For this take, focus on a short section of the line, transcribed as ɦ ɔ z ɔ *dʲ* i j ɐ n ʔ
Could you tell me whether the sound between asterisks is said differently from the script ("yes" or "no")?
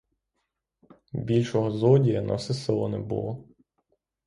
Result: no